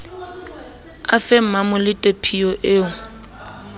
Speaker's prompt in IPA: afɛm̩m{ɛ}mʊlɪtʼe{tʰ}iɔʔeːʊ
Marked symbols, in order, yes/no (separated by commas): no, no